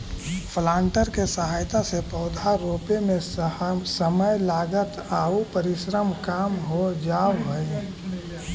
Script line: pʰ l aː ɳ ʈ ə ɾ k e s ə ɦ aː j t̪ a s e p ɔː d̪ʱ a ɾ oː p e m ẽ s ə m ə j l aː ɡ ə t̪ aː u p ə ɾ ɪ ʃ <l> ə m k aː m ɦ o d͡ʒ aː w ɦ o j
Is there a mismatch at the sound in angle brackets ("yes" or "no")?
yes